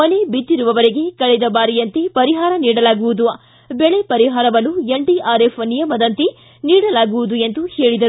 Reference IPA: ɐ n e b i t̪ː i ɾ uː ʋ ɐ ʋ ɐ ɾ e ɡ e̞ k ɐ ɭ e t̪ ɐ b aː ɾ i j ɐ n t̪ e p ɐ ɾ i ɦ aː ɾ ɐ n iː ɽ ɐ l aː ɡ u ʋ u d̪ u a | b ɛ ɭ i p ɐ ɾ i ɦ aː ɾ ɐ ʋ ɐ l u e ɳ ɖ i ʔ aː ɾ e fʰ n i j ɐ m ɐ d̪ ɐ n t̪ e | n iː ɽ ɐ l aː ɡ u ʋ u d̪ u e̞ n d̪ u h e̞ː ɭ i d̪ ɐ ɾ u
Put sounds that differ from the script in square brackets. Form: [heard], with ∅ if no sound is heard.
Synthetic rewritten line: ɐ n e b i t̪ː i ɾ [u] ʋ ɐ ʋ ɐ ɾ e ɡ e̞ k ɐ ɭ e [d̪] ɐ b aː ɾ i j ɐ n t̪ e p ɐ ɾ i ɦ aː ɾ ɐ n iː ɽ ɐ l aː ɡ u ʋ u d̪ u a | b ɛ ɭ [e] p ɐ ɾ i ɦ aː ɾ ɐ ʋ ɐ l u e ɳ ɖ i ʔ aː ɾ e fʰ n i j ɐ m ɐ d̪ ɐ n t̪ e | n iː ɽ ɐ l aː ɡ u ʋ u d̪ u e̞ n d̪ u h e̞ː ɭ i d̪ ɐ ɾ u